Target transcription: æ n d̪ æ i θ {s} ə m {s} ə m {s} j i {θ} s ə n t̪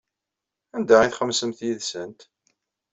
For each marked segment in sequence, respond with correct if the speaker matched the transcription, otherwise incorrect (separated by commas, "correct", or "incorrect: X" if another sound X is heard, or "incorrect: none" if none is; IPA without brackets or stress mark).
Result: incorrect: χ, correct, incorrect: θ, incorrect: ð